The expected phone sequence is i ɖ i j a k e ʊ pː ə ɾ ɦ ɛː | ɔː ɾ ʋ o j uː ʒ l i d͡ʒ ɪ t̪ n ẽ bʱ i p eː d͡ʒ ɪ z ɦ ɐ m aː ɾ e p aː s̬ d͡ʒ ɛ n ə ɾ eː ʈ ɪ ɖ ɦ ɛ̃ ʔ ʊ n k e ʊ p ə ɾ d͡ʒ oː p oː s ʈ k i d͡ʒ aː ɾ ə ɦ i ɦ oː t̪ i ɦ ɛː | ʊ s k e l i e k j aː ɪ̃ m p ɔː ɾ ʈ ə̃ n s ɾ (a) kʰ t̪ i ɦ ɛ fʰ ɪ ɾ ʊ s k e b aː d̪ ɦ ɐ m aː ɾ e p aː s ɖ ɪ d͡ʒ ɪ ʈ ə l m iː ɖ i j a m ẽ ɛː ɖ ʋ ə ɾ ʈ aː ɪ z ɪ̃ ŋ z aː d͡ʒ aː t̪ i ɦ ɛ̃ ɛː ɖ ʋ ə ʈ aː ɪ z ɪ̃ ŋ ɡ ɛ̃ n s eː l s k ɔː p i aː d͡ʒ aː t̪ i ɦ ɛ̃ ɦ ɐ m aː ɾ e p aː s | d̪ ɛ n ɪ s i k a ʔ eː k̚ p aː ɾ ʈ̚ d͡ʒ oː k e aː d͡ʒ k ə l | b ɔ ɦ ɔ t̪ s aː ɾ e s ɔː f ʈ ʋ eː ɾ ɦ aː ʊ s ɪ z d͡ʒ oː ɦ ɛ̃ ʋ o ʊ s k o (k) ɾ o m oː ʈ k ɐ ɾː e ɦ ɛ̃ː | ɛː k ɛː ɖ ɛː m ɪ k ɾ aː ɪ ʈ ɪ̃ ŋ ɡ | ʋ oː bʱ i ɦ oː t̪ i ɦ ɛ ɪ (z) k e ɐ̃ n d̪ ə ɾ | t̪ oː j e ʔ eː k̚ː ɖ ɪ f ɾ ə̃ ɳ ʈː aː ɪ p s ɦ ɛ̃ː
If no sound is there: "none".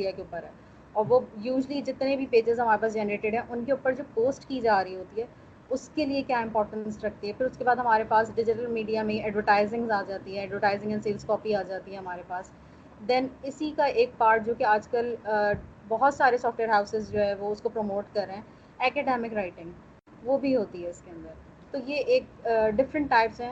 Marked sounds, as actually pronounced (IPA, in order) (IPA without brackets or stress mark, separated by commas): ɐ, p, s